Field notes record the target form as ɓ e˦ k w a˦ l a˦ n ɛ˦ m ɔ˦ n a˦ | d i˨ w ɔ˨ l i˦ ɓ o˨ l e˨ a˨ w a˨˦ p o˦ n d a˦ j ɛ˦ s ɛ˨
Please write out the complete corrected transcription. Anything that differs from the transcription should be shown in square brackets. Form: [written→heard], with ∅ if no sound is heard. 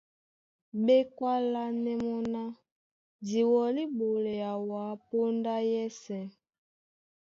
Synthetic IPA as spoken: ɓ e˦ k w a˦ l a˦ n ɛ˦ m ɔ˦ n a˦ | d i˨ w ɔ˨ l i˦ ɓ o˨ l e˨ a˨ w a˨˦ p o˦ n d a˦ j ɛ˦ s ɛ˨